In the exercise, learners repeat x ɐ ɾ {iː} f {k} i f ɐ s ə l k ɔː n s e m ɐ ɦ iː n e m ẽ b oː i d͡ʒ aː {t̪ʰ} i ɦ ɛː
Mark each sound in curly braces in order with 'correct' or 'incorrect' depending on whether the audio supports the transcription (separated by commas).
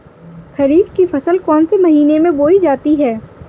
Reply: correct, correct, incorrect